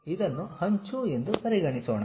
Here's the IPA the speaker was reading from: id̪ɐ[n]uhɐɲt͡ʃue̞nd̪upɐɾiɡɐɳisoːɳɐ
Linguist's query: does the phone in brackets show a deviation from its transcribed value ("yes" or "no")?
yes